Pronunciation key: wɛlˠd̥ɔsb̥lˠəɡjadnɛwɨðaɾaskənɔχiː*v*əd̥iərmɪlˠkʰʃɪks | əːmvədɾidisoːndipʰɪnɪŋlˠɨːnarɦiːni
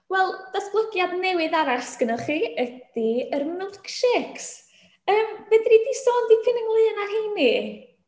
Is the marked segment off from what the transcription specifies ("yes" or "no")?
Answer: yes